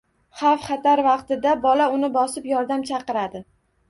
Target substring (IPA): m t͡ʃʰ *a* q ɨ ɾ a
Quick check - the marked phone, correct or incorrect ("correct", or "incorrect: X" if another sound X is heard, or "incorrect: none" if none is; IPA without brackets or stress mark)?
incorrect: ɑ